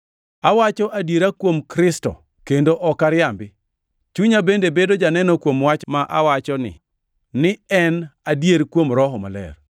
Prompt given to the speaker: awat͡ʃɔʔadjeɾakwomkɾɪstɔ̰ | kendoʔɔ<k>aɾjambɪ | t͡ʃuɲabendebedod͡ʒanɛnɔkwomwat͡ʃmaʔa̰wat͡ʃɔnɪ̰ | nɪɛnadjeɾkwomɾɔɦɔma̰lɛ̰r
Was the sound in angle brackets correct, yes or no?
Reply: yes